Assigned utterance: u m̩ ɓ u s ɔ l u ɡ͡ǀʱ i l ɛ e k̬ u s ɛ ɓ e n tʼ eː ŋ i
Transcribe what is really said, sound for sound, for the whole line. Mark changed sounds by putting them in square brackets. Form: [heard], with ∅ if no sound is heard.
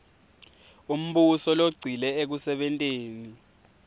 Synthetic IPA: u m̩ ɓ u s ɔ l [o] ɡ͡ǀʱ i l ɛ e k̬ u s ɛ ɓ [ɛ] n tʼ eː [n] i